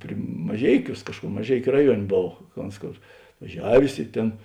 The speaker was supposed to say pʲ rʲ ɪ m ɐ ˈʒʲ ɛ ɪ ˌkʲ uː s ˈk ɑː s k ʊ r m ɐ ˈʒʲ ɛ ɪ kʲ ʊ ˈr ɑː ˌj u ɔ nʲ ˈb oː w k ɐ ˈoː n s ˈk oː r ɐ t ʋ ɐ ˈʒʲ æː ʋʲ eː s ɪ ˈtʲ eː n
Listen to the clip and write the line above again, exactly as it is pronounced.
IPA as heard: pʲ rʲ ɪ m ɐ ˈʒʲ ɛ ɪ ˌkʲ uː s ˈk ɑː ʃ k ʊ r m ɐ ˈʒʲ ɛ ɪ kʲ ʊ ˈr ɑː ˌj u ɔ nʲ ˈb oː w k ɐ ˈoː n s ˈk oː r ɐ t ʋ ɐ ˈʒʲ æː ʋʲ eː s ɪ ˈtʲ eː n